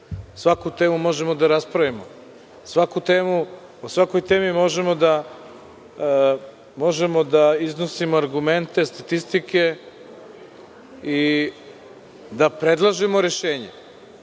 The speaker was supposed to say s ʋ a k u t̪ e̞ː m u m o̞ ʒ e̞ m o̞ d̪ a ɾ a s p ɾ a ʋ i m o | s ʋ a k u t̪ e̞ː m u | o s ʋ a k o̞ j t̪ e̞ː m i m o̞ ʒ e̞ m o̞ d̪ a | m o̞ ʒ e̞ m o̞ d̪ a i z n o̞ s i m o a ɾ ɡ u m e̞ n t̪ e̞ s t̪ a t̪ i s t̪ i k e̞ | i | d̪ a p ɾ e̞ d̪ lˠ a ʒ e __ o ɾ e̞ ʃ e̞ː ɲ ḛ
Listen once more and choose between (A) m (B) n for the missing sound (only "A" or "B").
A